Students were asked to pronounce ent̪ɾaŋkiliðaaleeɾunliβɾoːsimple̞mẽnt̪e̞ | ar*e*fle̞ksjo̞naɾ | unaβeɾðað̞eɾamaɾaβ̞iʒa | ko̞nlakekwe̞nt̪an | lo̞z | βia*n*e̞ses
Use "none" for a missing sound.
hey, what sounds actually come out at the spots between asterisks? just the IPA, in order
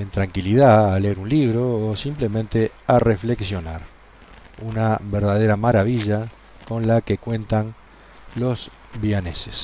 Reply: e, n

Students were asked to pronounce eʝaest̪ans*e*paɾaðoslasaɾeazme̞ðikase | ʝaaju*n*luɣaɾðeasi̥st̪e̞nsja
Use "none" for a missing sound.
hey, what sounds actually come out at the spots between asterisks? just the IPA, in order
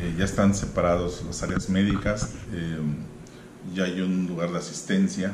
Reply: e, n

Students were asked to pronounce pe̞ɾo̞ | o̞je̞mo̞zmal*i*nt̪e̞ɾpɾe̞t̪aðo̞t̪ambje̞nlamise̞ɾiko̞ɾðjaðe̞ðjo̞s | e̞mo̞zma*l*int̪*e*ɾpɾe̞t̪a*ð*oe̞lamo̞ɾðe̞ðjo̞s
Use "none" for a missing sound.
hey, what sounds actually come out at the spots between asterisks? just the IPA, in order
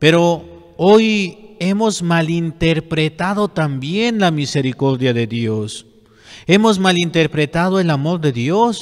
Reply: i, l, e, ð

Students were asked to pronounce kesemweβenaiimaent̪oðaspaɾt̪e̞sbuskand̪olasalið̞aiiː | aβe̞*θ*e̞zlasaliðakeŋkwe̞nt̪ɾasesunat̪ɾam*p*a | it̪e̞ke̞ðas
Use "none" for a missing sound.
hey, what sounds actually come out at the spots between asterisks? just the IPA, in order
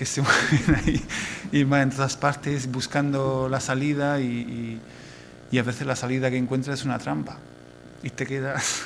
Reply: θ, p

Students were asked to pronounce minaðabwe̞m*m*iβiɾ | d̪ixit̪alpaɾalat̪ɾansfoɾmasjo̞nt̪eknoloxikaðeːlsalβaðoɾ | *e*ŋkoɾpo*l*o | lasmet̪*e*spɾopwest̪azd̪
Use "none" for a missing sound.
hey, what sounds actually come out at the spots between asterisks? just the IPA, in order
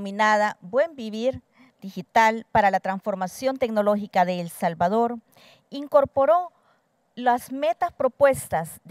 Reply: b, i, ɾ, a

